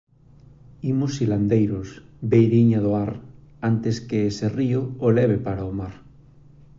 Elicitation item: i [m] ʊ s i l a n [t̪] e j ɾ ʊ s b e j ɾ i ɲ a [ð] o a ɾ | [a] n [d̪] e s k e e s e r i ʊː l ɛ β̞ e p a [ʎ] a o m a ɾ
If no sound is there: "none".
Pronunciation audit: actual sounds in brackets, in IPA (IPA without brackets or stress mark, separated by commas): m, d̪, ð, a, t̪, ɾ